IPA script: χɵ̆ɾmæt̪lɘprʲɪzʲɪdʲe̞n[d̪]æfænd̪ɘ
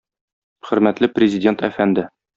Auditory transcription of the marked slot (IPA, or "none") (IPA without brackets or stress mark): t̪